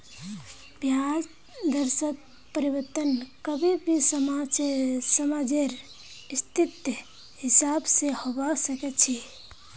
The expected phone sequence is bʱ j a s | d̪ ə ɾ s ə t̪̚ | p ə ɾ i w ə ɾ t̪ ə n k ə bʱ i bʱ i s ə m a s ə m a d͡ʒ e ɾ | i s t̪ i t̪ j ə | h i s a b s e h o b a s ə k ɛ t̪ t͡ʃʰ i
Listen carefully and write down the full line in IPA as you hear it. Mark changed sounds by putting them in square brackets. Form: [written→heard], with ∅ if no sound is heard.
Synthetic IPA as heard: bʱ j a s | d̪ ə ɾ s ə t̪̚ | p ə ɾ i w ə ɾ t̪ ə n k ə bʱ i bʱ i s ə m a s ə m a d͡ʒ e ɾ | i s t̪ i t̪ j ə | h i s a b s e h o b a s ə k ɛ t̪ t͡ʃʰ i

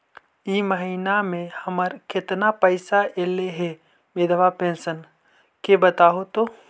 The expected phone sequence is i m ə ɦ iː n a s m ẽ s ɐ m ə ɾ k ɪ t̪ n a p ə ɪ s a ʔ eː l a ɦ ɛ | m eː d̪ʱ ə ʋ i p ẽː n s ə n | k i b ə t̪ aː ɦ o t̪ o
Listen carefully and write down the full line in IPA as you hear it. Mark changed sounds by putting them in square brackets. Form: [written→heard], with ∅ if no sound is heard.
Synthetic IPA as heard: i m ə ɦ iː n a [s→∅] m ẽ [s→h] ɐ m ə ɾ k ɪ t̪ n a p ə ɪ s a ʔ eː l [a→e] ɦ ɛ | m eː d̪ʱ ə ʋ [i→a] p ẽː n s ə n | k [i→e] b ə t̪ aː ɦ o t̪ o

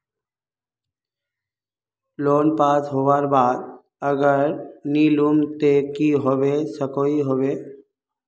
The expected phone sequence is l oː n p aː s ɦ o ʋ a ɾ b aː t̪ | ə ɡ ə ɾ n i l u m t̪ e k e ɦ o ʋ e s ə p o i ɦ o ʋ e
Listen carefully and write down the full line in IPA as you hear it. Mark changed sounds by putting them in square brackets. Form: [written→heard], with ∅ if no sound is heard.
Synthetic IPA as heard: l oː n p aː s ɦ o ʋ a ɾ b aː [t̪→d̪] | ə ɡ ə ɾ n i l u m t̪ e k [e→i] ɦ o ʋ e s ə [p→k] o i ɦ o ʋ e

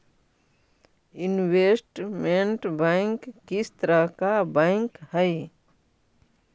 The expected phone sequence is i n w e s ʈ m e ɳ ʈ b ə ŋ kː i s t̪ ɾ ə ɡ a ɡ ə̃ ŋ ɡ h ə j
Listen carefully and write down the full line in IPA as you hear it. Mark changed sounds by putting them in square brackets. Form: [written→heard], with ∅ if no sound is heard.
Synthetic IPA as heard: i n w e s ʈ m e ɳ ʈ b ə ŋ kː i s t̪ ɾ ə [ɡ→k] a [ɡ→b] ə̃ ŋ [ɡ→k] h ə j

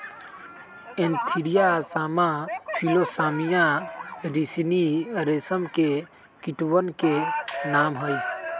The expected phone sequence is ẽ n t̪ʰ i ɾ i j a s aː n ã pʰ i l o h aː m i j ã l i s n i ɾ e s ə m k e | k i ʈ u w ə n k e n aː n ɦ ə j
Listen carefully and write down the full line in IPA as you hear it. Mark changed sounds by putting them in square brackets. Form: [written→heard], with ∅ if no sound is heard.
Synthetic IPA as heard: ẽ n t̪ʰ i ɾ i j a s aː [n→m] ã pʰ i l o [h→s] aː m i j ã [l→ɾ] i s n i ɾ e s ə m k e | k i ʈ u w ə n k e n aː [n→m] ɦ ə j

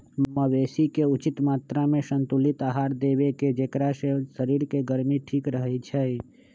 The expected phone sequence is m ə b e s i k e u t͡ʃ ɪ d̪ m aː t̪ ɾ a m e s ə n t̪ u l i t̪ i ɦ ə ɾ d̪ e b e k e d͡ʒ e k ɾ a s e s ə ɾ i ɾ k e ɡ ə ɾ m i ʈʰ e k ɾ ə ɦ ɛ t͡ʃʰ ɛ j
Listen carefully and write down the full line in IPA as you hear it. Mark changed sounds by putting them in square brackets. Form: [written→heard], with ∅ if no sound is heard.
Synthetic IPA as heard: m ə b e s i k e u t͡ʃ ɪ [d̪→t̪] m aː t̪ ɾ a m e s ə n t̪ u l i t̪ [i→a] ɦ [ə→a] ɾ d̪ e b e k e d͡ʒ e k ɾ a s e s ə ɾ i ɾ k e ɡ ə ɾ m i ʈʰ [e→i] k ɾ ə ɦ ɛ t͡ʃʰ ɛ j

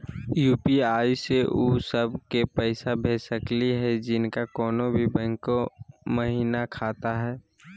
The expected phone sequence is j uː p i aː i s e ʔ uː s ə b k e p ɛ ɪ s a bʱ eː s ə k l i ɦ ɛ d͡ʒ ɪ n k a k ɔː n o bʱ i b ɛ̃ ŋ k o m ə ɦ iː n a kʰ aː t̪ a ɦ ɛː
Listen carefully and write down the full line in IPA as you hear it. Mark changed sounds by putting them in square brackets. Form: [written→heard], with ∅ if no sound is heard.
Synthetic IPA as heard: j uː p i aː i s e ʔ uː s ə b k e p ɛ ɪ s a bʱ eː s ə k l i ɦ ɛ d͡ʒ ɪ n k a k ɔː n o bʱ i b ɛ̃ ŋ k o m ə ɦ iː n a kʰ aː t̪ a ɦ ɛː

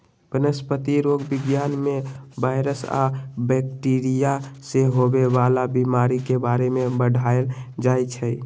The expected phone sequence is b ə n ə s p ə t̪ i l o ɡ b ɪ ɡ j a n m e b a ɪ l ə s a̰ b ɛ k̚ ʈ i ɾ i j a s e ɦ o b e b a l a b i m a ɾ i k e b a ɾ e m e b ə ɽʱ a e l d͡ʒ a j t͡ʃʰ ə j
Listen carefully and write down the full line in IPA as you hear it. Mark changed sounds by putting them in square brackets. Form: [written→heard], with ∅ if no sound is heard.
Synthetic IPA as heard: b ə n ə s p ə t̪ i [l→ɾ] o ɡ b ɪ ɡ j a n m e b a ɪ [l→ɾ] ə s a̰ b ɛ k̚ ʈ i ɾ i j a s e ɦ o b e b a l a b i m a ɾ i k e b a ɾ e m e b ə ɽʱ a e l d͡ʒ a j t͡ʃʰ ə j

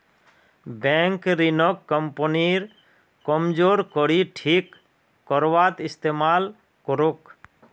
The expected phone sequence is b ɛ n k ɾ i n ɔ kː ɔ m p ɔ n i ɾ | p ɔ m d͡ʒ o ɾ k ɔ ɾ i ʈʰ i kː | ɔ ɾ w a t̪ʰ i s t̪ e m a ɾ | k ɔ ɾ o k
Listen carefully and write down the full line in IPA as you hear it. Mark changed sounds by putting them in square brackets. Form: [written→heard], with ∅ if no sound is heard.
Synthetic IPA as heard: b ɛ [n→ŋ] k ɾ i n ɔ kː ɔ m p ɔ n i ɾ | [p→k] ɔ m d͡ʒ o ɾ k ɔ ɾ i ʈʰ i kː | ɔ ɾ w a [t̪ʰ→t̪] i s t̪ e m a [ɾ→l] | k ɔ ɾ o k

